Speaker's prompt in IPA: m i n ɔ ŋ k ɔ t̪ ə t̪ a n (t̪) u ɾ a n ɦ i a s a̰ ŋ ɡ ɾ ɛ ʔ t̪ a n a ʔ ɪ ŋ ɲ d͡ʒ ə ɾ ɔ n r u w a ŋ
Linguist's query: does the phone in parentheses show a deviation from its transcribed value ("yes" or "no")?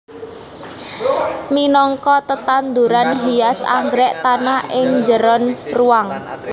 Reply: yes